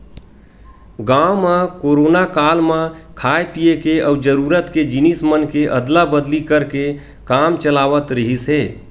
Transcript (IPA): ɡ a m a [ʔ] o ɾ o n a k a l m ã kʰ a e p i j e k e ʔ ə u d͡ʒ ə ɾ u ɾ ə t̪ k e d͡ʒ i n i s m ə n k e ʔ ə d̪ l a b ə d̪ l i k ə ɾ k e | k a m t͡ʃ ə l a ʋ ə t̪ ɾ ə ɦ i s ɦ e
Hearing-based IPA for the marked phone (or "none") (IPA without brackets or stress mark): k